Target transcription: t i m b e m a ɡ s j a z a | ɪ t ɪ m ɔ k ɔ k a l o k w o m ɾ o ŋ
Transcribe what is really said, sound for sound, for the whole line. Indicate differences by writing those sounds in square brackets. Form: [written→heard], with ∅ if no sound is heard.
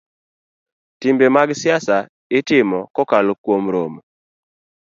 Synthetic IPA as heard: t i m b e m a ɡ s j a [z→s] a | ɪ t ɪ m ɔ k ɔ k a l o k w o m ɾ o [ŋ→m]